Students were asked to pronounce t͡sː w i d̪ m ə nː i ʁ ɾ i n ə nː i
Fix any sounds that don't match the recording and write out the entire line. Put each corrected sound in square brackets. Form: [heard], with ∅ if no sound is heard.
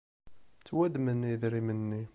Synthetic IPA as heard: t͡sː w [æ] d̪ m ə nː i [ð] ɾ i [m] ə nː i